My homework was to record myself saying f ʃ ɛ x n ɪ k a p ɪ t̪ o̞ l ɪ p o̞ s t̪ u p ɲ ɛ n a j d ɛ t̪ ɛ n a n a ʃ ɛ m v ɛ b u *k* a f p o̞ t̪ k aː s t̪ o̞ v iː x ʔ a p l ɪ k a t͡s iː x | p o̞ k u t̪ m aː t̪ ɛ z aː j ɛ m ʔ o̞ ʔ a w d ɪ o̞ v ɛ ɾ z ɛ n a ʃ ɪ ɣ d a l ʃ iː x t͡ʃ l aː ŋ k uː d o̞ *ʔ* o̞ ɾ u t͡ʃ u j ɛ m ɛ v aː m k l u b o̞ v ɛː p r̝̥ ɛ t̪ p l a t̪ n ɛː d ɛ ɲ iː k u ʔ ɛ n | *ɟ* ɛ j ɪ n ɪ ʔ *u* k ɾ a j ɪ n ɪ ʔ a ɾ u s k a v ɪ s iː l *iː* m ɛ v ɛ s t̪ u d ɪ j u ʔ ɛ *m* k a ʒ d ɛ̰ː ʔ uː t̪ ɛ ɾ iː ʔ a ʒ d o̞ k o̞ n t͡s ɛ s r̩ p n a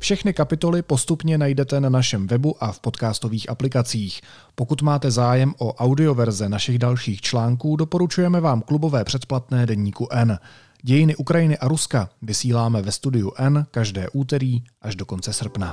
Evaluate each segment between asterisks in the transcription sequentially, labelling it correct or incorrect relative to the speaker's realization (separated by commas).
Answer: incorrect, incorrect, correct, correct, incorrect, incorrect